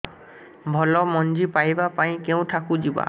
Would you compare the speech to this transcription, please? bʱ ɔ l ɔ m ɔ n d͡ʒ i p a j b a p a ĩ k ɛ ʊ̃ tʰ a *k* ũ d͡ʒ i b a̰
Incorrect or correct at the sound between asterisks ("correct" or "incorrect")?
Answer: correct